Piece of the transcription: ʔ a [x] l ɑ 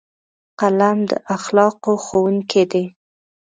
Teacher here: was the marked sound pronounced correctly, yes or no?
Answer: yes